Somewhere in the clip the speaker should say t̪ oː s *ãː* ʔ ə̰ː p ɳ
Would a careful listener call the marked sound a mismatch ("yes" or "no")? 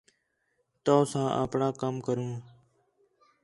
no